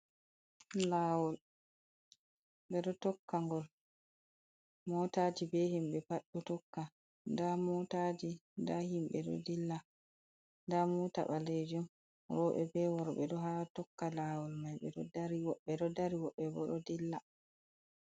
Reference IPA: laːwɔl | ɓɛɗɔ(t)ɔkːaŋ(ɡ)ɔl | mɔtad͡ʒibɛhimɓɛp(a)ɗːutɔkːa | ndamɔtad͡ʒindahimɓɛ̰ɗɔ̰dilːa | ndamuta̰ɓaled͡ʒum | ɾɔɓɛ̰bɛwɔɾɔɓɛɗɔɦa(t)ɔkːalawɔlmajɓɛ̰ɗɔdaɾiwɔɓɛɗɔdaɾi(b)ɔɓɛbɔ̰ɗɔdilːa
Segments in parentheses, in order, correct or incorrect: correct, correct, correct, correct, incorrect: w

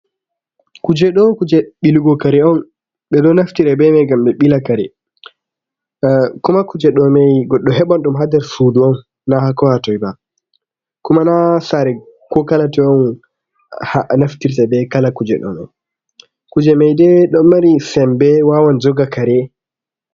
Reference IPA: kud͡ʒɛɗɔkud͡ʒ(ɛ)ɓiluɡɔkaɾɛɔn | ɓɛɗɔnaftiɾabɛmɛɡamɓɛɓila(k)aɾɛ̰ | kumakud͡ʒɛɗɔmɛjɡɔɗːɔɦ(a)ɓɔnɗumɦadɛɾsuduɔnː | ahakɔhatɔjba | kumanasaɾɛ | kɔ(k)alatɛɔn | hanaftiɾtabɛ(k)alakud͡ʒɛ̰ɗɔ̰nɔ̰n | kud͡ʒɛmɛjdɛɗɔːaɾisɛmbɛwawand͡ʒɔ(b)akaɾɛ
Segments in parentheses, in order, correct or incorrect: correct, correct, incorrect: ɛ, correct, correct, incorrect: ɡ

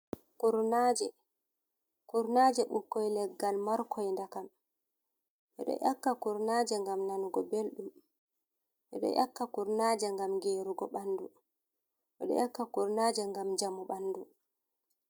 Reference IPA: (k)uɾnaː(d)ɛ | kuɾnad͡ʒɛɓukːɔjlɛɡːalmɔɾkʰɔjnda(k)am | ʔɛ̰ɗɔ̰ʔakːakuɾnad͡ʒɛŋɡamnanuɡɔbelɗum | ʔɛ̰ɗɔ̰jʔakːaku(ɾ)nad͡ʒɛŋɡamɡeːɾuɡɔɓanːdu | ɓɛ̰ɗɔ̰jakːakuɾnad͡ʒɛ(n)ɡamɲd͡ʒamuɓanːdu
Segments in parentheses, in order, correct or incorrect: correct, incorrect: d͡ʒ, correct, correct, incorrect: ŋ

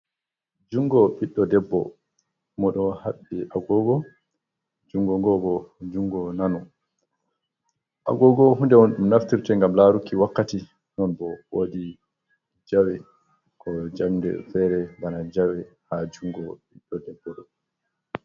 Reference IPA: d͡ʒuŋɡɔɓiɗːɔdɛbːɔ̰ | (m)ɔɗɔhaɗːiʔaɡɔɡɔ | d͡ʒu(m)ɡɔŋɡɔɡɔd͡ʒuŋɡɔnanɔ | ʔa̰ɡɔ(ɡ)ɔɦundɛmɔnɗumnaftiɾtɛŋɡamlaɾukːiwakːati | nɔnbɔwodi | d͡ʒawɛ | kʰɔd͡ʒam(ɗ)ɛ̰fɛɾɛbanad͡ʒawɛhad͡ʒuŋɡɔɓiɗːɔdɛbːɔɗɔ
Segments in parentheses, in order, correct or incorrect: correct, incorrect: ŋ, correct, incorrect: d

